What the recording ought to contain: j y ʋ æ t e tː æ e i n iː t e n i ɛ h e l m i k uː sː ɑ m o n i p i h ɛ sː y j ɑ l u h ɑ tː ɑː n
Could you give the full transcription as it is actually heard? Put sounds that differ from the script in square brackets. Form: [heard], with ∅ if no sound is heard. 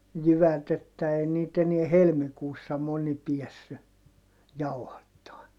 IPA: j y ʋ æ t e tː æ e i n iː t e n i ɛ h e l m i k uː sː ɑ m o n i p i [∅] ɛ sː y j ɑ [∅] u h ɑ tː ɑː n